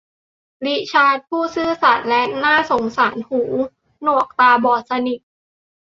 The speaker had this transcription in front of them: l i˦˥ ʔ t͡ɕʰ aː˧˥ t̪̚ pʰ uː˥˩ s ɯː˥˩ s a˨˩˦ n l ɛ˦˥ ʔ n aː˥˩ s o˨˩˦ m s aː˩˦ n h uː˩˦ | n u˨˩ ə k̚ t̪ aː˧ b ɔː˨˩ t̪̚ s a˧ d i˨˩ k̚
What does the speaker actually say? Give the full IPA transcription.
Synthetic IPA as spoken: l i˦˥ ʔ t͡ɕʰ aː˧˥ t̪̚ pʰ uː˥˩ s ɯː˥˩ s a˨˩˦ n l ɛ˦˥ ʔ n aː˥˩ s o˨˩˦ ŋ s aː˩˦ n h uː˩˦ | n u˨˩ ə k̚ t̪ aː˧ b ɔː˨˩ t̪̚ s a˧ n i˨˩ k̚